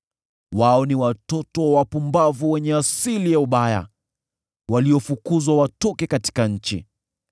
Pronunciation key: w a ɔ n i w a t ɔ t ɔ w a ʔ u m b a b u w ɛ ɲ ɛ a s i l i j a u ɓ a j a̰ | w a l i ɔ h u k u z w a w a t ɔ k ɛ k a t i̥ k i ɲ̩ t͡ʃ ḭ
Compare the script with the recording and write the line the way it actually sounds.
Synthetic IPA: w a ɔ n i w a t ɔ t ɔ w a p u m b a v u w ɛ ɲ ɛ a s i l i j a u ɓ a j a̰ | w a l i ɔ f u k u z w a w a t ɔ k ɛ k a t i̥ k a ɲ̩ t͡ʃ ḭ